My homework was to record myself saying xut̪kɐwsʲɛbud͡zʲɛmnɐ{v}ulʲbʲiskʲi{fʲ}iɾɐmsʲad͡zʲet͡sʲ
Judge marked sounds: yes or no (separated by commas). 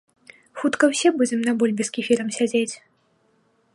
no, yes